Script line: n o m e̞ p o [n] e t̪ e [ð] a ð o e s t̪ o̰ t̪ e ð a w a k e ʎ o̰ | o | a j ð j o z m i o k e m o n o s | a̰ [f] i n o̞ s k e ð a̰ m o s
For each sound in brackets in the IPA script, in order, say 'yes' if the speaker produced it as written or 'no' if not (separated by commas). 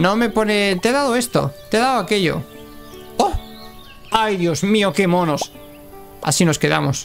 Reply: yes, yes, no